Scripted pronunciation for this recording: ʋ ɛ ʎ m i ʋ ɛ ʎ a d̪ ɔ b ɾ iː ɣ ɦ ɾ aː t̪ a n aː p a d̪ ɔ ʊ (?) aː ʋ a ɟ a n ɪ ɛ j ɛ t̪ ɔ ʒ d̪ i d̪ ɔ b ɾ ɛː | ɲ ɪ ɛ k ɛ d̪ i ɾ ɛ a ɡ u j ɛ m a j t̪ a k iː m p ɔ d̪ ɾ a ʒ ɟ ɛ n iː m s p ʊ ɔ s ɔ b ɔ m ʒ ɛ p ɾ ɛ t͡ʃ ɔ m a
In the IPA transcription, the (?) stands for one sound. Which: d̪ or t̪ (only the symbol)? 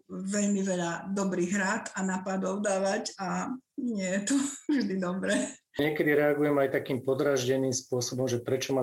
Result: d̪